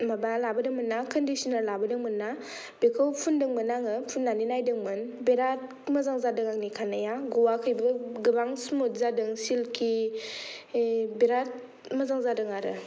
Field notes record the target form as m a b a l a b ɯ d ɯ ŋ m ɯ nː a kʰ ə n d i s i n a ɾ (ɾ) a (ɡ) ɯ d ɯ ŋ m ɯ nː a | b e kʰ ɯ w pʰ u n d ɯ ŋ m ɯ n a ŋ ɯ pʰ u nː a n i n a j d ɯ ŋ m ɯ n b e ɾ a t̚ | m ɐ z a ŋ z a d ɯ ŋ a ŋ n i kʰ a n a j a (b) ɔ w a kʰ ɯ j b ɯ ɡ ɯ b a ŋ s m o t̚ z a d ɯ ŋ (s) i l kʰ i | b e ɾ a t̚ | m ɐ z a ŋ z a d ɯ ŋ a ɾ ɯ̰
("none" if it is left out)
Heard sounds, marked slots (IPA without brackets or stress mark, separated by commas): l, b, ɡ, s